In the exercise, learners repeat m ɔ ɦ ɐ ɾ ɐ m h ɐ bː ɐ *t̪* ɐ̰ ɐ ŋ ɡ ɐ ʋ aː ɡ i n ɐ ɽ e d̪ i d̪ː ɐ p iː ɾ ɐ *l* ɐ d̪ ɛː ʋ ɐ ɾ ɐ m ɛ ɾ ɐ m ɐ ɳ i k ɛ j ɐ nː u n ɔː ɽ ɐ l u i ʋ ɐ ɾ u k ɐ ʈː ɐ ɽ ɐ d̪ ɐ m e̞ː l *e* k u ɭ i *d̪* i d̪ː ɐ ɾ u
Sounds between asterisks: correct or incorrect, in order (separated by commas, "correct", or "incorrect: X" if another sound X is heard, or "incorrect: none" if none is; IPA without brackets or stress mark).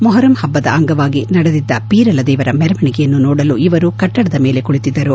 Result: incorrect: d̪, correct, correct, incorrect: t̪